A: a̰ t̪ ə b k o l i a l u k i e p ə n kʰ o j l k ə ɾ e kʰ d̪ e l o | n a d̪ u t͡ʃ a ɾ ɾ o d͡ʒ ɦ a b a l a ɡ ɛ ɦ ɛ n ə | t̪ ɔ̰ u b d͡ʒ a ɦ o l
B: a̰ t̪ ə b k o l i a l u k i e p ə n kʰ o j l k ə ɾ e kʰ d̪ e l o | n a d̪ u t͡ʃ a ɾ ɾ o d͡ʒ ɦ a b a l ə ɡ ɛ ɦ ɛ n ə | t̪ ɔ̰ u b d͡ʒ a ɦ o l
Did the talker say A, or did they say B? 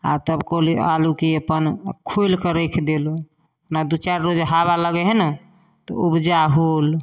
B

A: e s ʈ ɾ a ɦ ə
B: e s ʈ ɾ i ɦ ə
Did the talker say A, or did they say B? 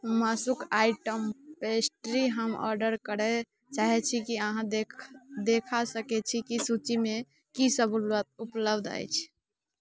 B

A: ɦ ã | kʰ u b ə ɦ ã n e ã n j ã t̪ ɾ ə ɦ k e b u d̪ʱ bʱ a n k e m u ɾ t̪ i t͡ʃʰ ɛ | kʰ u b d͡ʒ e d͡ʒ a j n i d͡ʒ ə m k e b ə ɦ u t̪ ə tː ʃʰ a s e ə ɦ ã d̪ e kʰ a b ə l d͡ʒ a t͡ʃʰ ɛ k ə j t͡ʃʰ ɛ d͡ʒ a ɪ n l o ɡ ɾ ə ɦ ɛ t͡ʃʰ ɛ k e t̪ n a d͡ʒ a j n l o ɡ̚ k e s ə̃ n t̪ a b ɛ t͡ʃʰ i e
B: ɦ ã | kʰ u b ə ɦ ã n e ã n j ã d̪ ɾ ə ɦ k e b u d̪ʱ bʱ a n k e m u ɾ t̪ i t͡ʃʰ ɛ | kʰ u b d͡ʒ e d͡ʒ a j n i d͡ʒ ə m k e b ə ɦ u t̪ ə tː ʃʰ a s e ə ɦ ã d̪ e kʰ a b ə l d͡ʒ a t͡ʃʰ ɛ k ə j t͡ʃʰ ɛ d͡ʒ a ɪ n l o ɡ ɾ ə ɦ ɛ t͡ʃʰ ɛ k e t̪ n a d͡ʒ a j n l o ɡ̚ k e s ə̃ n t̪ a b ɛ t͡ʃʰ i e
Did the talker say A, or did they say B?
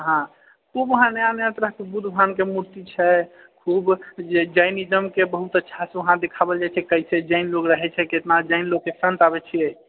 A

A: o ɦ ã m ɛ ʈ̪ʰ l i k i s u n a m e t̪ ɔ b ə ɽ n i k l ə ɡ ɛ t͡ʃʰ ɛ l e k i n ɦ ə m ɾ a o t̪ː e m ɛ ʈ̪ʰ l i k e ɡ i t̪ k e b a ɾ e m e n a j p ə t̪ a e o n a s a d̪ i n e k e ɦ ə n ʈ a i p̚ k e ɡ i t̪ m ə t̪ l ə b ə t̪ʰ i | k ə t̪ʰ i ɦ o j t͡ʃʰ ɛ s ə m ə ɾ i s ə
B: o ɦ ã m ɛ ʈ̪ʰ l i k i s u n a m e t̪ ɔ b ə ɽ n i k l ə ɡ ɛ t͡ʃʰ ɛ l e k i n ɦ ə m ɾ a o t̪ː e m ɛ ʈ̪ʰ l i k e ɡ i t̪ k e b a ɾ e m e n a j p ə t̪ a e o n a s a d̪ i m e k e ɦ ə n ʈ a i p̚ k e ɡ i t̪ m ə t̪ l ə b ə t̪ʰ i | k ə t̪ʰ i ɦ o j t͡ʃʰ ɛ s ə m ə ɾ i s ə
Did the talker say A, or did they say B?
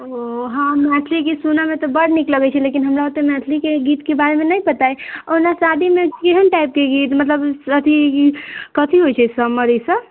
B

